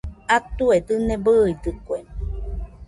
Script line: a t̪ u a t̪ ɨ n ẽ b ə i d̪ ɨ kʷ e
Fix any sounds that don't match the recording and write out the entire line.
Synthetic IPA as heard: a t̪ u e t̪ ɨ n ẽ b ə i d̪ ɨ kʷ e

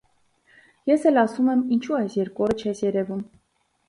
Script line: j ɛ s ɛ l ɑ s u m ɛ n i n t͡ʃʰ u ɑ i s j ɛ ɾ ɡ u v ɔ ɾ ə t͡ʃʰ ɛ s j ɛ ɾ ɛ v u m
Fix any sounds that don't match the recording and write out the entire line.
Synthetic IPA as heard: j ɛ s ɛ l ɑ s u m ɛ m i n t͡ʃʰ u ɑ j s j ɛ ɾ k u ɔ ɾ ə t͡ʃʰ ɛ s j ɛ ɾ ɛ v u m

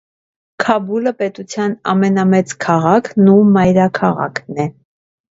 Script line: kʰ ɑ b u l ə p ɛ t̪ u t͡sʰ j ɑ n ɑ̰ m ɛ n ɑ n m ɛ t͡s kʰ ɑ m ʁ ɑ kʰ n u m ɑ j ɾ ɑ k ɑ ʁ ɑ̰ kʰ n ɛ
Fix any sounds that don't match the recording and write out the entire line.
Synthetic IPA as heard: kʰ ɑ b u l ə p ɛ t̪ u t͡sʰ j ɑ n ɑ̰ m ɛ n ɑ m ɛ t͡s kʰ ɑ ʁ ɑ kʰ n u m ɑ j ɾ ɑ kʰ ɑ ʁ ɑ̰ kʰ n ɛ

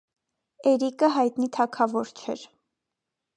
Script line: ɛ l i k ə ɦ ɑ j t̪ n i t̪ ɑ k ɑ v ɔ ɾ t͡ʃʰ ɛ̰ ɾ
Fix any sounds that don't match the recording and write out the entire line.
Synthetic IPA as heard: ɛ ɾ i k ə ɦ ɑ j t̪ n i t̪ʰ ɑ kʰ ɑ v ɔ ɾ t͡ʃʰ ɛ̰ ɾ

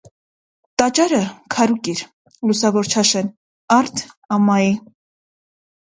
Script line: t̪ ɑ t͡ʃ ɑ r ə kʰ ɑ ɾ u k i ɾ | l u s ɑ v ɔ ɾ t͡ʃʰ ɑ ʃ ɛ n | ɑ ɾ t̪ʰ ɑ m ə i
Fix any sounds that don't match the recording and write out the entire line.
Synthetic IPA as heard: t̪ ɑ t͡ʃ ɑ ɾ ə kʰ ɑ ɾ u k i ɾ | l u s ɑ v ɔ ɾ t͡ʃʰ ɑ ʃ ɛ n | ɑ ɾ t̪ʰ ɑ m ɑ i

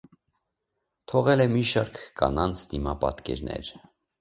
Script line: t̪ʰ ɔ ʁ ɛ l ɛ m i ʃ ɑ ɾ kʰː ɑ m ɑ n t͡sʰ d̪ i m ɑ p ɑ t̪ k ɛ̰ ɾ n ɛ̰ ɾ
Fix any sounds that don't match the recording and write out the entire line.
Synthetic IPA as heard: t̪ʰ ɔ ʁ ɛ l ɛ m i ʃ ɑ ɾ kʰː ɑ n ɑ n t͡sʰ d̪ i m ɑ p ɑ t̪ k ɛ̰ ɾ n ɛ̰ ɾ

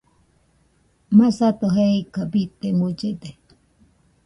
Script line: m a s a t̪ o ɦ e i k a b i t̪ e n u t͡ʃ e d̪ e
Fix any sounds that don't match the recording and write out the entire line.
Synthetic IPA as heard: m a s a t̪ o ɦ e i k a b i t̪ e m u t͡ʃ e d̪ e

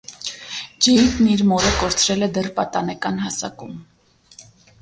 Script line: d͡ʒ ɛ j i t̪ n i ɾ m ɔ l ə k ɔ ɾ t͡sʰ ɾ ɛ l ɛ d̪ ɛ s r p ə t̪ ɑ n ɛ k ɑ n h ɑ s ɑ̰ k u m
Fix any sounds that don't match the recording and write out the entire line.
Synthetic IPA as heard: d͡ʒ ɛ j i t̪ n i ɾ m ɔ ɾ ə k ɔ ɾ t͡sʰ ɾ ɛ l ɛ d̪ ɛ r p ɑ t̪ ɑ n ɛ k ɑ n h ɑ s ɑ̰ k u m

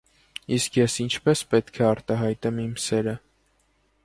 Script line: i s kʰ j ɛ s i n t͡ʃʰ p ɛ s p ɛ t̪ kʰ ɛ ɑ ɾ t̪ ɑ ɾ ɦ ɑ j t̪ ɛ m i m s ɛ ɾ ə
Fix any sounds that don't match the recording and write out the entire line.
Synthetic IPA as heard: i s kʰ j ɛ s i n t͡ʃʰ p ɛ s p ɛ t̪ kʰ ɛ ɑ ɾ t̪ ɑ ɦ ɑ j t̪ ɛ m i m s ɛ ɾ ə

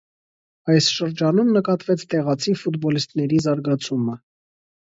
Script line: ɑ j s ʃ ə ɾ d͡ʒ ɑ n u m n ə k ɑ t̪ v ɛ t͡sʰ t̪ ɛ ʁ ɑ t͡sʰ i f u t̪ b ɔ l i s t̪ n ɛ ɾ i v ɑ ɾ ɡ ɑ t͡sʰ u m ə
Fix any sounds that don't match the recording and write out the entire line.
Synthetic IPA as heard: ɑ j s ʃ ə ɾ d͡ʒ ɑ n u m n ə k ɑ t̪ v ɛ t͡sʰ t̪ ɛ ʁ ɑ t͡sʰ i f u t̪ b ɔ l i s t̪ n ɛ ɾ i z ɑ ɾ ɡ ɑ t͡sʰ u m ə

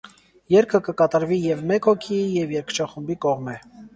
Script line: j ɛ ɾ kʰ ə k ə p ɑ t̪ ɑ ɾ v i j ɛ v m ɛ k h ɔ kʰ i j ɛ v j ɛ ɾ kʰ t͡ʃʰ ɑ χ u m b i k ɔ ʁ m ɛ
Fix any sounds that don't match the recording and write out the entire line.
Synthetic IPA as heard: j ɛ ɾ kʰ ə k ə k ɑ t̪ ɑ ɾ v i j ɛ v m ɛ k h ɔ kʰ i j ɛ v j ɛ ɾ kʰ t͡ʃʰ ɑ χ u m b i k ɔ ʁ m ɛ

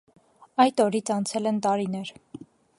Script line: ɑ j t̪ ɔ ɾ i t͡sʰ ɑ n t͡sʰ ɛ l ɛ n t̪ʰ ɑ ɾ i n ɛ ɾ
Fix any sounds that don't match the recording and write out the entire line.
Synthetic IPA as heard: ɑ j t̪ ɔ ɾ i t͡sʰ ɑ n t͡sʰ ɛ l ɛ n t̪ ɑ ɾ i n ɛ ɾ

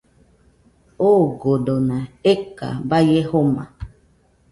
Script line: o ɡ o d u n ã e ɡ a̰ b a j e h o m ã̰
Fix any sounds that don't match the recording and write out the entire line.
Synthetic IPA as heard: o ɡ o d o n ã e k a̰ b a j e h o m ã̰

